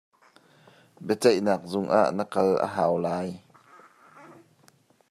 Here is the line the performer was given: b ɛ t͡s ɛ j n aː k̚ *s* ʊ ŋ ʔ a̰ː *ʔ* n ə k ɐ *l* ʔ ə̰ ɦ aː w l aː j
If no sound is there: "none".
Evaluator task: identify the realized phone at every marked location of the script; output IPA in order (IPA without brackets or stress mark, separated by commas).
z, ʔ, l